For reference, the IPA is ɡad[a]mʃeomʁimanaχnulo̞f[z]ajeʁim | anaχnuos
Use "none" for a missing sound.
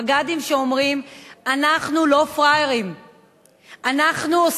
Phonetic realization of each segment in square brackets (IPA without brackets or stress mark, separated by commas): i, ʁ